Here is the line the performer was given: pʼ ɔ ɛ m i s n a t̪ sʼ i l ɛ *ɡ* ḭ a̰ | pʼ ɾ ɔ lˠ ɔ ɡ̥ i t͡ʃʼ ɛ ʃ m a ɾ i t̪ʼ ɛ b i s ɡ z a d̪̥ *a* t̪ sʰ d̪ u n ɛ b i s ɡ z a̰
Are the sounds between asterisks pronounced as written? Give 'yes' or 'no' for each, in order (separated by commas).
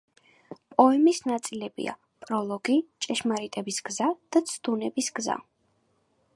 no, yes